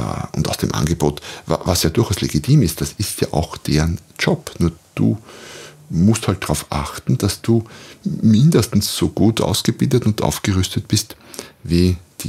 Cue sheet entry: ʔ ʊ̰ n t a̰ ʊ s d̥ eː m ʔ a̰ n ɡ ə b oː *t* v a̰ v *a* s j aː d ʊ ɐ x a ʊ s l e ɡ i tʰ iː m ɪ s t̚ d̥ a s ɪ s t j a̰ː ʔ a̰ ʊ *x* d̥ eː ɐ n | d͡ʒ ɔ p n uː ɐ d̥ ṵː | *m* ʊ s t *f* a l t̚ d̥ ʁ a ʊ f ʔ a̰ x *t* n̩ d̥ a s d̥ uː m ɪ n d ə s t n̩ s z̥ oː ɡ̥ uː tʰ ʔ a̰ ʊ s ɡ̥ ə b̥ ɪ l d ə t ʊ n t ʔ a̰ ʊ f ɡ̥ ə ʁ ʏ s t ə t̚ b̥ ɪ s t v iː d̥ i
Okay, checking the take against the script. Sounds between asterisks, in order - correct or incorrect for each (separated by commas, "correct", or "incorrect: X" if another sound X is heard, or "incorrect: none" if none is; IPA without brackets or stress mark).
correct, correct, correct, correct, incorrect: h, correct